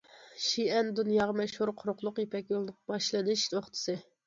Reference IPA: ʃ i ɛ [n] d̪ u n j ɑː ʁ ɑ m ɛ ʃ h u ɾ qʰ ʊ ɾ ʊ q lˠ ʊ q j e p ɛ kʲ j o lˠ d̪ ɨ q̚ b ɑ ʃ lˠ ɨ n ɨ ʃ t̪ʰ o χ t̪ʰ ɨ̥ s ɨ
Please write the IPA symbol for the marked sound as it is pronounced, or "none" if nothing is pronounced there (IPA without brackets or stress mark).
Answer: n